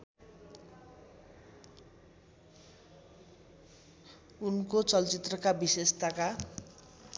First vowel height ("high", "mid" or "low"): high